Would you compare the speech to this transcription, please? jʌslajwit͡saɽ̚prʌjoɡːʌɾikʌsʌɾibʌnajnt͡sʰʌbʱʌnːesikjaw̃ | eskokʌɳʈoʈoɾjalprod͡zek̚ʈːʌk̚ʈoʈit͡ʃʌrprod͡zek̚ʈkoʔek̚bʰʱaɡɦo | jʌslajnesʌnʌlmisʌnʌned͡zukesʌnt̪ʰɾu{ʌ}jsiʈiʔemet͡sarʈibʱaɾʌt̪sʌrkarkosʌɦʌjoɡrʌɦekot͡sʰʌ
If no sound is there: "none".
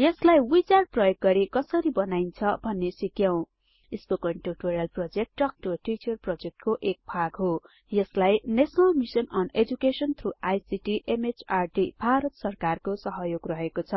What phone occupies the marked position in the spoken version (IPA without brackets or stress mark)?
a